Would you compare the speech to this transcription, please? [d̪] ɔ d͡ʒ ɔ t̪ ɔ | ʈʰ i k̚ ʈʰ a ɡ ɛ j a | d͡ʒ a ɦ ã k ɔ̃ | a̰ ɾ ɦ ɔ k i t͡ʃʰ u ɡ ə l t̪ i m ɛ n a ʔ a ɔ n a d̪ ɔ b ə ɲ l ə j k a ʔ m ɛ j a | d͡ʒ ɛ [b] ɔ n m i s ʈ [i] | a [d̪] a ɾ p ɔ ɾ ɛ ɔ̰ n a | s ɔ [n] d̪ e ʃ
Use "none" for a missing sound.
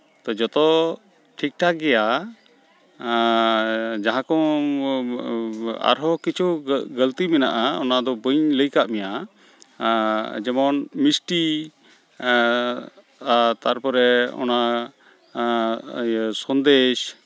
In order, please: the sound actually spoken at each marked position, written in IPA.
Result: t̪, m, i, t̪, n

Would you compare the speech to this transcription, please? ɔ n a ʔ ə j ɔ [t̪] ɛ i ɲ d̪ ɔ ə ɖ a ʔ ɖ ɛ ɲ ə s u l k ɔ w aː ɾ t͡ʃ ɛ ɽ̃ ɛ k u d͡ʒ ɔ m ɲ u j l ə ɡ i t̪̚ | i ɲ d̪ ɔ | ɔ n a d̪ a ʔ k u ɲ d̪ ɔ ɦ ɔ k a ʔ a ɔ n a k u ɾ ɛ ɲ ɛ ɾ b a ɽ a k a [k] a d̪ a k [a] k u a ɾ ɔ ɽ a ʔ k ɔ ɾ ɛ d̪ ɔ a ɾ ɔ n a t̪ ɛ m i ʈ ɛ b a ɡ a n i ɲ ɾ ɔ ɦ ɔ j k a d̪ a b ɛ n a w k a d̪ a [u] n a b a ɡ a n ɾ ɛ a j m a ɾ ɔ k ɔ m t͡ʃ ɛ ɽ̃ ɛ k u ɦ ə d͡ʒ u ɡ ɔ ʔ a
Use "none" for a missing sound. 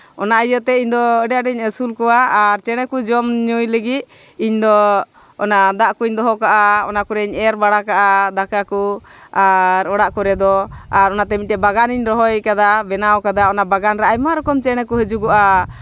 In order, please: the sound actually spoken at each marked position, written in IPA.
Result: t̪, ʔ, a, ɔ

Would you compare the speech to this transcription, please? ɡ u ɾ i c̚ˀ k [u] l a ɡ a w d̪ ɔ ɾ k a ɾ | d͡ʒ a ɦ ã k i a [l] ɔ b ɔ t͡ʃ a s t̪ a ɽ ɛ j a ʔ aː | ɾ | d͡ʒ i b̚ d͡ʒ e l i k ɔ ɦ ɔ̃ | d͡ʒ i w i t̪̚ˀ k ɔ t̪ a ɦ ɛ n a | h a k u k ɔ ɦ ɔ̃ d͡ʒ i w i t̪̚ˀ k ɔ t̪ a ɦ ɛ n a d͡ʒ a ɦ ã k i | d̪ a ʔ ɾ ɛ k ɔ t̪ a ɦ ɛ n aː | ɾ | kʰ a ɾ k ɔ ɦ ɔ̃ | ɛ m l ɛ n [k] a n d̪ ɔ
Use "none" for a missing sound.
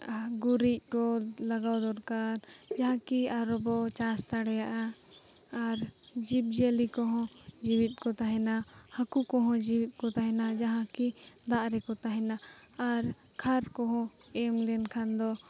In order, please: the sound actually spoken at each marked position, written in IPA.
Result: ɔ, ɾ, kʰ

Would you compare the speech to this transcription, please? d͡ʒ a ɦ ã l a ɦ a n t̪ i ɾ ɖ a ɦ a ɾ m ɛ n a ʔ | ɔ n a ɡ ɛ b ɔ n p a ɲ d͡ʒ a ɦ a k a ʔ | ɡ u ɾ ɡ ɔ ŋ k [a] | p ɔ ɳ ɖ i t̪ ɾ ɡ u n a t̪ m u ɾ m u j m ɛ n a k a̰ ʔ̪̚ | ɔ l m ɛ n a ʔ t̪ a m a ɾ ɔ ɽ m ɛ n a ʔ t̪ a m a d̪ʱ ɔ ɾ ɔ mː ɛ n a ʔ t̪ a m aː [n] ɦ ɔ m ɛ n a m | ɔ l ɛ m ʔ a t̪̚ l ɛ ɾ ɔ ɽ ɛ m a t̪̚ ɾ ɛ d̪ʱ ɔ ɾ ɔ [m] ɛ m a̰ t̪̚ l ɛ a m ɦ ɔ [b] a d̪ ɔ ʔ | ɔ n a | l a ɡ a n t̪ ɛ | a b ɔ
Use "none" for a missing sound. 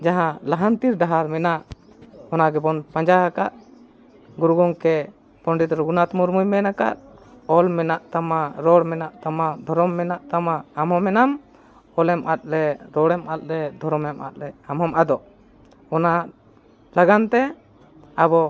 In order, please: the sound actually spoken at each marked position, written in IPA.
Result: ɛ, m, m, m

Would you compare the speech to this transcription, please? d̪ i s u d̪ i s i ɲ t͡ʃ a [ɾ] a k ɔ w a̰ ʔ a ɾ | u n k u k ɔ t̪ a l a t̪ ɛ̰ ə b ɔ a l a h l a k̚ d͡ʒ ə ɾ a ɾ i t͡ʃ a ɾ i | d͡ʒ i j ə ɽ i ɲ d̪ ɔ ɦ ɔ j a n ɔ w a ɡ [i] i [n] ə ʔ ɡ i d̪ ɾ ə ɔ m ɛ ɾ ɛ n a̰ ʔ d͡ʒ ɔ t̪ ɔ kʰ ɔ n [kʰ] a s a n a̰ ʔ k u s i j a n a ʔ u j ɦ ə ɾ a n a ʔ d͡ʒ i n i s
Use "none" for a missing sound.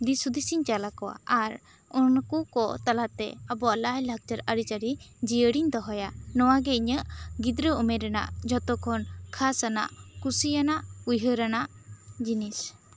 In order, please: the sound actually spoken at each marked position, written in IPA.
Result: l, ɛ, ɲ, kʰ

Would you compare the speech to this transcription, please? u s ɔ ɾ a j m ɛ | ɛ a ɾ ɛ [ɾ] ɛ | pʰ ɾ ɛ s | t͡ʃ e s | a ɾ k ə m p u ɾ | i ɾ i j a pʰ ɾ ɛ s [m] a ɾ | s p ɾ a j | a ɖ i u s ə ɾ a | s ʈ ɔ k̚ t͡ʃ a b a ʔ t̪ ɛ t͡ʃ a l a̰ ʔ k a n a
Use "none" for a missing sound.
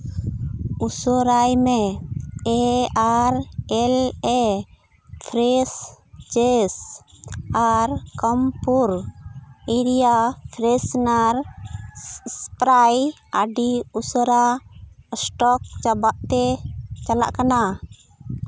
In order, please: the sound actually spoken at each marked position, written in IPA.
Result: l, n

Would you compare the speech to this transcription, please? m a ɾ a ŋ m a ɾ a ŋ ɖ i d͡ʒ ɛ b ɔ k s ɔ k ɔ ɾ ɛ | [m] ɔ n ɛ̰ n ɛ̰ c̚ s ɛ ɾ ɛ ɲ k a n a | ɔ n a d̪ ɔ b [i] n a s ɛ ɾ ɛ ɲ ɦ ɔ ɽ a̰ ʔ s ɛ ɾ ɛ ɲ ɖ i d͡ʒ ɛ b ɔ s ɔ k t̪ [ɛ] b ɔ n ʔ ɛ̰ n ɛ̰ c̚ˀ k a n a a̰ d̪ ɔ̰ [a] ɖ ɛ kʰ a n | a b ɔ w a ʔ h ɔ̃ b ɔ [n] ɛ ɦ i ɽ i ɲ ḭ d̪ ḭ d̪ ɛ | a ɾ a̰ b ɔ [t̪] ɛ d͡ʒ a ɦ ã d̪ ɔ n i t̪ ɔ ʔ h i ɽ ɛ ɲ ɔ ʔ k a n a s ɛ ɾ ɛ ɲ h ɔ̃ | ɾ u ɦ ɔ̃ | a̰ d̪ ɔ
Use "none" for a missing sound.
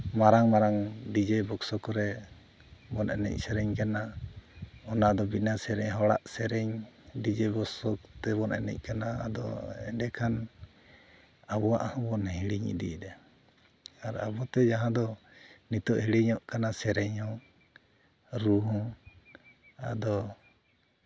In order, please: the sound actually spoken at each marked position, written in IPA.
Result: b, i, ɛ, ɛ, n, t̪

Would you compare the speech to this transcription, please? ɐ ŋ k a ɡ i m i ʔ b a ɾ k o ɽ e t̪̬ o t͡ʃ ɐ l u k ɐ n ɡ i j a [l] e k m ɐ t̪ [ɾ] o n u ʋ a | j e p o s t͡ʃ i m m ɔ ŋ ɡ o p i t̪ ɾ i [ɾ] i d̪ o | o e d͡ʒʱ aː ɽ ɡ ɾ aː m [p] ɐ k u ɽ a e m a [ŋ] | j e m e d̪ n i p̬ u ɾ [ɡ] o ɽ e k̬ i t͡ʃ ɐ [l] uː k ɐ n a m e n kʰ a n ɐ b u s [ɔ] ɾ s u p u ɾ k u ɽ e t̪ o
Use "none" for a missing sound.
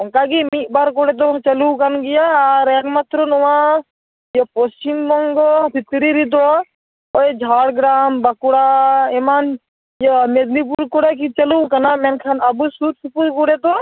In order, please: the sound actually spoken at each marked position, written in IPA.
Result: ɾ, ɾ, ɾ, b, n, k, l, u

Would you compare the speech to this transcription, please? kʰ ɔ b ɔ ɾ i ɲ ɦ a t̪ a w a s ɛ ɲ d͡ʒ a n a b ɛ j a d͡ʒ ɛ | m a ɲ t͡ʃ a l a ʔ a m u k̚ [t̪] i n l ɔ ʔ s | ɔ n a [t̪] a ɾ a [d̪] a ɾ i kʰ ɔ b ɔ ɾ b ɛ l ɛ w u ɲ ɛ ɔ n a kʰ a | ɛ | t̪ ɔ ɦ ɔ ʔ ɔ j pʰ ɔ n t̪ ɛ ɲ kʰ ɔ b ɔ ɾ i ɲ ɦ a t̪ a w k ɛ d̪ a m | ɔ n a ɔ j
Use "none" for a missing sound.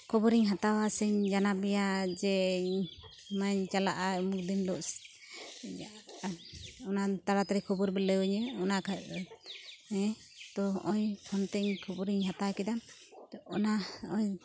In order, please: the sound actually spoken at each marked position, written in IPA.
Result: d̪, t̪, t̪

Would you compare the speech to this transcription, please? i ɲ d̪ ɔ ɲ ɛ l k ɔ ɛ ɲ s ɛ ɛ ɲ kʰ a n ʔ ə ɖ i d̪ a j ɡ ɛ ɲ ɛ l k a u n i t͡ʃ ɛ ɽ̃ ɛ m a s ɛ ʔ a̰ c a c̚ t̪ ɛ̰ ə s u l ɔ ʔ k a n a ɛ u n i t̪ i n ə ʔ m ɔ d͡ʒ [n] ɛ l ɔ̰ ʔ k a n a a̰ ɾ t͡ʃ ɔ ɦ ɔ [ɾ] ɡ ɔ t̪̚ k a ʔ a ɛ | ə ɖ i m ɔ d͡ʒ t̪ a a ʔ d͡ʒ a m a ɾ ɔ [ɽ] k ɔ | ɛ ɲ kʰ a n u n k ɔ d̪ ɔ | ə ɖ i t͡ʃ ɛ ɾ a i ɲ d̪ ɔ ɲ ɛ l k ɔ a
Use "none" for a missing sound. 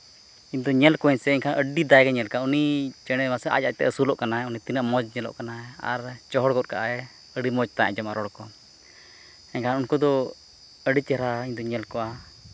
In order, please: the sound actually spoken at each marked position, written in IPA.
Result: ɲ, ɽ, ɽ

